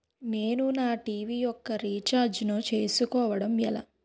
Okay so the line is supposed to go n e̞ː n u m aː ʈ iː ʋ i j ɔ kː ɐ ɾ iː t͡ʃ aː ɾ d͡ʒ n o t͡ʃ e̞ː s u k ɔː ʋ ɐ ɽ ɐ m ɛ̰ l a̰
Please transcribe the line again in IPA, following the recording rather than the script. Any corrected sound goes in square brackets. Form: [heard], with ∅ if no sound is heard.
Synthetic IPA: n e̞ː n u [n] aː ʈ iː ʋ i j ɔ kː ɐ ɾ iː t͡ʃ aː ɾ d͡ʒ n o t͡ʃ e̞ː s u k ɔː ʋ ɐ ɽ ɐ m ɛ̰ l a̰